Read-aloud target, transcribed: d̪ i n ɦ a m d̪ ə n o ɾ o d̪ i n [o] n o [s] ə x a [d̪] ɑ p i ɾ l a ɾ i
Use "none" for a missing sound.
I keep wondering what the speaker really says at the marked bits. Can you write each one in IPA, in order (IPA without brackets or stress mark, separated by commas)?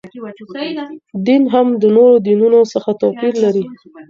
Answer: u, s, t̪